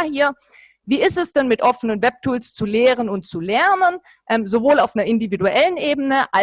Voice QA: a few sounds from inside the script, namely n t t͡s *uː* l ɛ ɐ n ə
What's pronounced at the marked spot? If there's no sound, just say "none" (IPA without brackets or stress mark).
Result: u